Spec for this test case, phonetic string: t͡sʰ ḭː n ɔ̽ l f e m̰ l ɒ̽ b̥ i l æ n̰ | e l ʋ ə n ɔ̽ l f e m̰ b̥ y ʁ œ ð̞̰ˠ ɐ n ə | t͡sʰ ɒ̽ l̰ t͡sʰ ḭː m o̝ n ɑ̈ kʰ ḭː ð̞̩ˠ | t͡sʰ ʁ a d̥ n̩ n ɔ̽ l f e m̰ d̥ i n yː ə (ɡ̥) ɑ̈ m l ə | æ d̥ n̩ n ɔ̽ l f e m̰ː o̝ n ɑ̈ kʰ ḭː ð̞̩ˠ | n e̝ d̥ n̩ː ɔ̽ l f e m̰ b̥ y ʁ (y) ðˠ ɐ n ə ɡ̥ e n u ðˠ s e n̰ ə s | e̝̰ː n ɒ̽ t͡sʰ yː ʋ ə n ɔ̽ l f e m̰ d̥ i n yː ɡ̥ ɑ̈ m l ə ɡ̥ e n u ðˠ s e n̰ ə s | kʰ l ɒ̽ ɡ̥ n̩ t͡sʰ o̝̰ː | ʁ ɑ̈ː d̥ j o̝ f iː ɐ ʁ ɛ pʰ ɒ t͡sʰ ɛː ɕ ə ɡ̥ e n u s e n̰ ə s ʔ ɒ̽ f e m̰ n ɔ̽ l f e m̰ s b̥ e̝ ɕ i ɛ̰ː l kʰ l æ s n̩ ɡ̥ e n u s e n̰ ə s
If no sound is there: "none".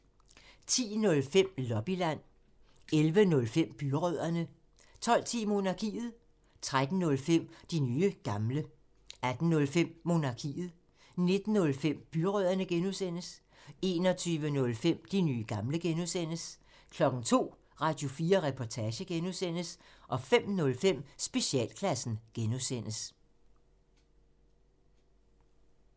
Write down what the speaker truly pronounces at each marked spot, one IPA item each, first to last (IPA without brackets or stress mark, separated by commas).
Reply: ɡ̥, œ